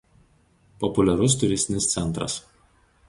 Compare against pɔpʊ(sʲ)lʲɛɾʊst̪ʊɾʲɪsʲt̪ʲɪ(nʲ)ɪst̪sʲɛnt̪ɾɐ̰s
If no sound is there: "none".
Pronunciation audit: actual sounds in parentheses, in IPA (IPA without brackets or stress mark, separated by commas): none, nʲ